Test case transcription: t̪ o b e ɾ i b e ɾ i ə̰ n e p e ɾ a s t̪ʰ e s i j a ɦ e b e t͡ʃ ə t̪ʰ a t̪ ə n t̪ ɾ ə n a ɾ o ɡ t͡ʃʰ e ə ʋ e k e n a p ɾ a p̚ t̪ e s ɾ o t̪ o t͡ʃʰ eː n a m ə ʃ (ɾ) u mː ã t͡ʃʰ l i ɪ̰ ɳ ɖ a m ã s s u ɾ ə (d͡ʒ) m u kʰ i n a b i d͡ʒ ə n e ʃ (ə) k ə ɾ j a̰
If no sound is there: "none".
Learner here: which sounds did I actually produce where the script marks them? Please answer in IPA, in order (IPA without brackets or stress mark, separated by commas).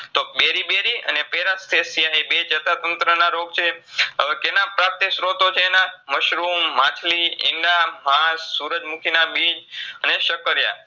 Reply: ɾ, d͡ʒ, ə